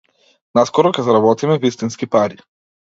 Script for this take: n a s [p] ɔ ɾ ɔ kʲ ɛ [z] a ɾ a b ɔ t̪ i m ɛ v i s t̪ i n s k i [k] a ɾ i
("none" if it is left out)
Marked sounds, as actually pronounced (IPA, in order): k, z, p

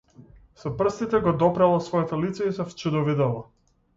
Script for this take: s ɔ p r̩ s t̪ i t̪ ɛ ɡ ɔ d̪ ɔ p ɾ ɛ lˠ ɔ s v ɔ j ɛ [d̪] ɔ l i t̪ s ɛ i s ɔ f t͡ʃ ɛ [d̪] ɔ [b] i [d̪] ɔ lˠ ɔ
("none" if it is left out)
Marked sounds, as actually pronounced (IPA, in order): t̪, d̪, v, d̪

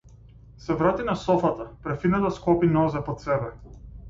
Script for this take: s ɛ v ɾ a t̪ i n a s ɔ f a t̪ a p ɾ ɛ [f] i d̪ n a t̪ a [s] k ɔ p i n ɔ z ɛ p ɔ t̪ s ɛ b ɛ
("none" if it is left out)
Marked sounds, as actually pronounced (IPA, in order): f, s

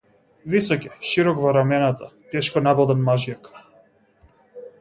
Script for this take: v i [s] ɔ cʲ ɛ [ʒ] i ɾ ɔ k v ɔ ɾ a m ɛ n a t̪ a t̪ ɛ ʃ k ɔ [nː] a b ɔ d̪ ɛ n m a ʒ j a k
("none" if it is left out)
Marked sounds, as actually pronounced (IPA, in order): s, ʃ, n

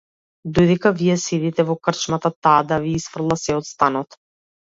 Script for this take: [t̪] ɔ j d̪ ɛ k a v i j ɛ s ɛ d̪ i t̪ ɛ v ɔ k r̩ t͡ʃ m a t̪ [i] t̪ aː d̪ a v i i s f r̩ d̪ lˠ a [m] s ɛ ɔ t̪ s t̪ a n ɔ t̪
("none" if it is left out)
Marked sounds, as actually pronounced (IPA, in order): d̪, a, none

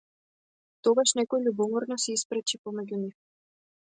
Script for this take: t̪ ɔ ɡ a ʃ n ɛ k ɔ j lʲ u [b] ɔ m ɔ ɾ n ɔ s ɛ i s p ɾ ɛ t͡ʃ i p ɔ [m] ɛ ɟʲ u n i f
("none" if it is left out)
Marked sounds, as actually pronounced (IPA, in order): b, m

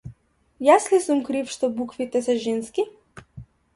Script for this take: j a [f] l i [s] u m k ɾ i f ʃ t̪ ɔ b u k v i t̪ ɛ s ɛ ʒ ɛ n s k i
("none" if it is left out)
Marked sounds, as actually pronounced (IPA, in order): s, s

